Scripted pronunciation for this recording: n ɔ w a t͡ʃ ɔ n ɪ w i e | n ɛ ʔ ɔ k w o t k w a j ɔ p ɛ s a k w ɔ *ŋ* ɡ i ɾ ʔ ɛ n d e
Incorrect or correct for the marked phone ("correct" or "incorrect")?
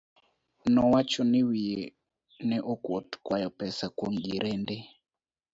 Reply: correct